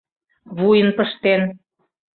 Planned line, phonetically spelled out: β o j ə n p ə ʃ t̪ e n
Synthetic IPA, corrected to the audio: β u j ə n p ə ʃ t̪ e n